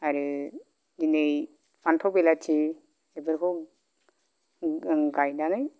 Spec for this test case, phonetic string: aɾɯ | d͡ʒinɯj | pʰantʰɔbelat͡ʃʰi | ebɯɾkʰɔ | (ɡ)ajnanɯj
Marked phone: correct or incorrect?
correct